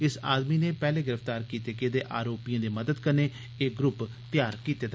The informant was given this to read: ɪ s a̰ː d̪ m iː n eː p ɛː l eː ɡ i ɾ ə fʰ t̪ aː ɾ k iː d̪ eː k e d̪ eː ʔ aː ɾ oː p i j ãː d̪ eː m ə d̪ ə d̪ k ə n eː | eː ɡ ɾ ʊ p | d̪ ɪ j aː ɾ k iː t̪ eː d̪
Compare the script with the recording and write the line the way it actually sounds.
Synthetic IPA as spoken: ɪ s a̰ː d̪ m iː n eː p ɛː l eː ɡ ɪ ɾ ə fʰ t̪ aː ɾ k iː t̪ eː k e d̪ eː ʔ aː ɾ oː p i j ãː d̪ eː m ə d̪ ə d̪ k ə n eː | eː ɡ ɾ ʊ p | t̪ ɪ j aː ɾ k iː t̪ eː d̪